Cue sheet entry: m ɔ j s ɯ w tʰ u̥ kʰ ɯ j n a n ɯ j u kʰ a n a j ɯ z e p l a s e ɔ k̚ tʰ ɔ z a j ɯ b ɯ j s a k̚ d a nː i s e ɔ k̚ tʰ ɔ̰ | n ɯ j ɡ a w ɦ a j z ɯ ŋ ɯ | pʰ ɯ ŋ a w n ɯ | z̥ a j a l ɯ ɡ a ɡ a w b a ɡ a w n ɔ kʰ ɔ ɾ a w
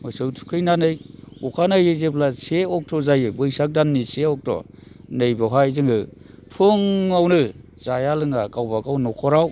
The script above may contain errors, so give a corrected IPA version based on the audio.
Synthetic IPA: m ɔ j s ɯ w tʰ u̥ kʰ ɯ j n a n ɯ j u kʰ a n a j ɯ z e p l a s e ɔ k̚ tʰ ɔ z a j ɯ b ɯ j s a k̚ d a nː i s e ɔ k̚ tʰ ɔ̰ | n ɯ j b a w ɦ a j z ɯ ŋ ɯ | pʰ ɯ ŋ a w n ɯ | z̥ a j a l ɯ ŋ a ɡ a w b a ɡ a w n ɔ kʰ ɔ ɾ a w